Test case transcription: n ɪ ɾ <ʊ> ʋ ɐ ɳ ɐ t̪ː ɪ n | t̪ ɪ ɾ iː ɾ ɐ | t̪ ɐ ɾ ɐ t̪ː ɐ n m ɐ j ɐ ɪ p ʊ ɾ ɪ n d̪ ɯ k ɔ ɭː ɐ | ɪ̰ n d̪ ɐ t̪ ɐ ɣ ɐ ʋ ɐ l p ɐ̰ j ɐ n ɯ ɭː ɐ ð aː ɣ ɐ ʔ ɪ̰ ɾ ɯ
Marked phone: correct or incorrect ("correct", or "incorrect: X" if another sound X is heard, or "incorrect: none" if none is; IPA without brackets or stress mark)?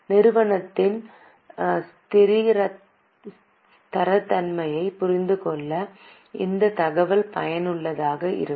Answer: incorrect: ɯ